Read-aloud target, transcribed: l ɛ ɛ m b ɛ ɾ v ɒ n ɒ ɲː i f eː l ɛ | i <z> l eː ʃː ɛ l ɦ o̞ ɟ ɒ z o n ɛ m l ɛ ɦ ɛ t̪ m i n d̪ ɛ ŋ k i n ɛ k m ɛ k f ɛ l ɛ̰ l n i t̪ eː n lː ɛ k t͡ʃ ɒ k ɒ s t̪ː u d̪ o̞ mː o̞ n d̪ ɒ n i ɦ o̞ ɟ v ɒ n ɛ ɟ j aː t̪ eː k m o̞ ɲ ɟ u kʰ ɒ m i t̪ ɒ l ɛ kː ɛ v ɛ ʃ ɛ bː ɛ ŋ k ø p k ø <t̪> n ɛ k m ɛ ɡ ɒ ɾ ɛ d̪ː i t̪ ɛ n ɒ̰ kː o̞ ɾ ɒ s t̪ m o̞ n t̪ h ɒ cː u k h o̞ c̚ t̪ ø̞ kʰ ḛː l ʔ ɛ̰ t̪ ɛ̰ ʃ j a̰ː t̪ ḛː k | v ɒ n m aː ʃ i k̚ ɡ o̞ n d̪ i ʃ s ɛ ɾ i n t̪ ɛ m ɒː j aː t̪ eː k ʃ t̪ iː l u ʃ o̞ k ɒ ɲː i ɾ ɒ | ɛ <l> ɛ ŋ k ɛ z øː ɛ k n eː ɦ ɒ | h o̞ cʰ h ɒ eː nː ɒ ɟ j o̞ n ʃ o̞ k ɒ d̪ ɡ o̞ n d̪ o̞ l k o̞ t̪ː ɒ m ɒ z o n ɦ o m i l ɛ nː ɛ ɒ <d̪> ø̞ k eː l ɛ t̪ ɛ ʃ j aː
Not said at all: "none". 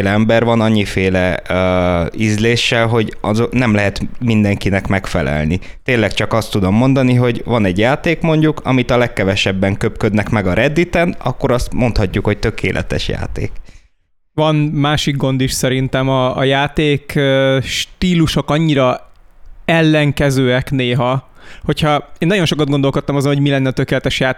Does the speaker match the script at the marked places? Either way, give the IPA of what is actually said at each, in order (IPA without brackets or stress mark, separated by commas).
z, d̪, lː, t̪